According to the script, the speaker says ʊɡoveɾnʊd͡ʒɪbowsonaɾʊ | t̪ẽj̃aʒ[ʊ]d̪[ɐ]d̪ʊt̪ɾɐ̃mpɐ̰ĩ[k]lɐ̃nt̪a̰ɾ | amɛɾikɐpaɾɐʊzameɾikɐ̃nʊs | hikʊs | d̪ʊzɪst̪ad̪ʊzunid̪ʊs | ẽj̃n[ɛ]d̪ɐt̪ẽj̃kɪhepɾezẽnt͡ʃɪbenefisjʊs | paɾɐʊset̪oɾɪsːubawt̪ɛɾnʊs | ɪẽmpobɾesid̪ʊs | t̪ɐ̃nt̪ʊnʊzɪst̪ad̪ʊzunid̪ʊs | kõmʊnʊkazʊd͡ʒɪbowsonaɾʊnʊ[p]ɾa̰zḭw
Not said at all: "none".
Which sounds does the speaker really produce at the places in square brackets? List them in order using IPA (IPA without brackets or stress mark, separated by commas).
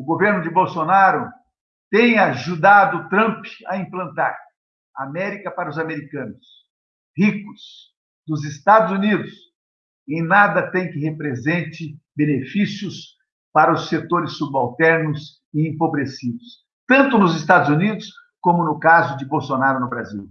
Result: u, a, p, a, b